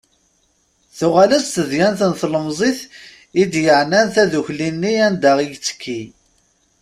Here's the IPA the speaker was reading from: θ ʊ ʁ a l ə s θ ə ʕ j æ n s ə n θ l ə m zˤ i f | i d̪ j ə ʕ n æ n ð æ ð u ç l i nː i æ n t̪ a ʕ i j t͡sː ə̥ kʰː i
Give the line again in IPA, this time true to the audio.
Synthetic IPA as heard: θ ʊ ʁ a l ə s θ ə ð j æ n θ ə n θ l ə m zˤ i θ | i d̪ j ə ʕ n æ n θ æ ð u ç l i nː i æ n d̪ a ʁ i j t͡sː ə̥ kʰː i